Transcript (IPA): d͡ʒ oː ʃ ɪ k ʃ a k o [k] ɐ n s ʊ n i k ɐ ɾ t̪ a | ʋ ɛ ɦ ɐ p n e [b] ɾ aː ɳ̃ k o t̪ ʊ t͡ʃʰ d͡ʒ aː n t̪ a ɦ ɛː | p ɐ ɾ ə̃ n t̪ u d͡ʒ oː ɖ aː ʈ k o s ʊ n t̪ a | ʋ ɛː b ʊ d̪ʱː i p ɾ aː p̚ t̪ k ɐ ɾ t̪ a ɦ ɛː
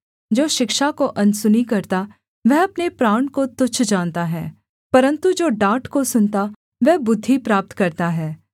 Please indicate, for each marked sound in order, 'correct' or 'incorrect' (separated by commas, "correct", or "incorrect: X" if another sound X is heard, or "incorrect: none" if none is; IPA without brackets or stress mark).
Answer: incorrect: ʔ, incorrect: p